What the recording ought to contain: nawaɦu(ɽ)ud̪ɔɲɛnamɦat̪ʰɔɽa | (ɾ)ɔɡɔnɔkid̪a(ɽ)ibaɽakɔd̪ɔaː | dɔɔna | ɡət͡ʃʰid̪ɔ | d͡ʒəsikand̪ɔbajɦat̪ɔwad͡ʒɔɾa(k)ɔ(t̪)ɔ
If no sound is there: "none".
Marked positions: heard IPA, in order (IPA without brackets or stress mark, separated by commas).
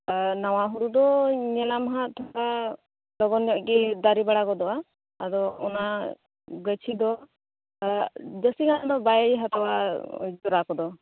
ɾ, l, ɾ, k, d̪